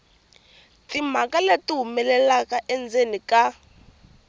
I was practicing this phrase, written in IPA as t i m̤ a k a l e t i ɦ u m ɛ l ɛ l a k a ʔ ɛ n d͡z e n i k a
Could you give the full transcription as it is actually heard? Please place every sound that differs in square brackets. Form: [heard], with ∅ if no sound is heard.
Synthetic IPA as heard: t i m̤ a k a l e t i ɦ u m ɛ l ɛ l a k a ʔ ɛ n d͡z e n i k a